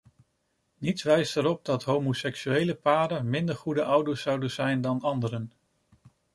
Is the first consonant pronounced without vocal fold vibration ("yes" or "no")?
no